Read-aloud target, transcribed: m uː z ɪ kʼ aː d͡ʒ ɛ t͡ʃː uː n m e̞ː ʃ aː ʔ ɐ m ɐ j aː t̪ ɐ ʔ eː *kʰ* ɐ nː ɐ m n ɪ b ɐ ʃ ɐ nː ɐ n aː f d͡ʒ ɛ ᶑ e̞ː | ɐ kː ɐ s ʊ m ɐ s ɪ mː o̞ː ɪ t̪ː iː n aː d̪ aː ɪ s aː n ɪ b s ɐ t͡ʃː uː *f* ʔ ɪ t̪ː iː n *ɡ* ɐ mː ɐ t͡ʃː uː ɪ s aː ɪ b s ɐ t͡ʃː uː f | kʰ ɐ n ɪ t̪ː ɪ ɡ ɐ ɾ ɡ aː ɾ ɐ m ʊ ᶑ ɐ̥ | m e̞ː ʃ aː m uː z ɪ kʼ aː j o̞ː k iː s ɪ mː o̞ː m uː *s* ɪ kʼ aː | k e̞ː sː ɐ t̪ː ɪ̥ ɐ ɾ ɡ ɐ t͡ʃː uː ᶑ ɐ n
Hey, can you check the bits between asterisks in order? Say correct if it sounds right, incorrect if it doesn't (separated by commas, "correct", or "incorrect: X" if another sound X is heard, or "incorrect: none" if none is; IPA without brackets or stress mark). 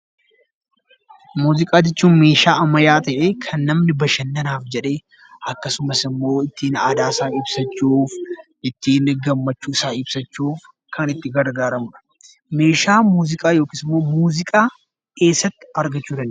correct, correct, correct, incorrect: z